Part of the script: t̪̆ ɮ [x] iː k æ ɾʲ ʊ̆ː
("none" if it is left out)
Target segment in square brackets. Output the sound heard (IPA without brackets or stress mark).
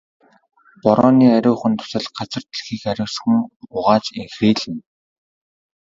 x